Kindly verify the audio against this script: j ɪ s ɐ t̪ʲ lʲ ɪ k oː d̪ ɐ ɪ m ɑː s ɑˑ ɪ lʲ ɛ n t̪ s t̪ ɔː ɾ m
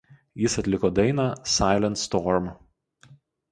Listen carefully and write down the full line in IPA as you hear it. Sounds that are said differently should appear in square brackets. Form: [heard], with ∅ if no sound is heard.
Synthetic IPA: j ɪ s ɐ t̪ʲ lʲ ɪ k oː d̪ ɐ ɪ [n] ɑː s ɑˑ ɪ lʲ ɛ n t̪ s t̪ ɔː ɾ m